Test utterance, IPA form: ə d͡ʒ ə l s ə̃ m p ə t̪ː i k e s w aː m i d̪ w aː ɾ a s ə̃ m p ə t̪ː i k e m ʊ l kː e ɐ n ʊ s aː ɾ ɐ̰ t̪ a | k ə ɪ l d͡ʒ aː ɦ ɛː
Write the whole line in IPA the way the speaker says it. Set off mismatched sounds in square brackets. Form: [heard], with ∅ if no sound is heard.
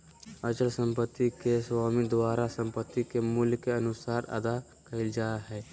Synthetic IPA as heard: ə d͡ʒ ə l s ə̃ m p ə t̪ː i k e s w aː m i d̪ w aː ɾ a s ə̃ m p ə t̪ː i k e m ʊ l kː e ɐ n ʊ s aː ɾ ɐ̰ [d̪] a | k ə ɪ l d͡ʒ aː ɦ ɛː